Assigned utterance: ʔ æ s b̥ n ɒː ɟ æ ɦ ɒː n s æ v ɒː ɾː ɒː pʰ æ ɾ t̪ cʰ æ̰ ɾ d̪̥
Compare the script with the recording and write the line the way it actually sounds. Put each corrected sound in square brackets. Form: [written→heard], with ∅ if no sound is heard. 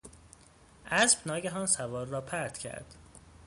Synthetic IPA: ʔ æ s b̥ n ɒː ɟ æ ɦ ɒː n s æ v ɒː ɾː ɒː pʰ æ ɾ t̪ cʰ æ̰ ɾ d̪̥